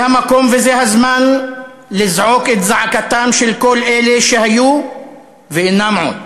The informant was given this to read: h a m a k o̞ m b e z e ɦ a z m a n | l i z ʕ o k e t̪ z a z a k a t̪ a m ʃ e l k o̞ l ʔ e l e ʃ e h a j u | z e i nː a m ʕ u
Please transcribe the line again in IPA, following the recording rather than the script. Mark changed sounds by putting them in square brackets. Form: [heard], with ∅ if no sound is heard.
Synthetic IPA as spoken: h a m a k o̞ m [v] e z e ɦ a z m a n | l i z ʕ o k e t̪ z a [ʕ] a k a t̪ a m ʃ e l k o̞ l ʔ e l e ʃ e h a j u | [v] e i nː a m ʕ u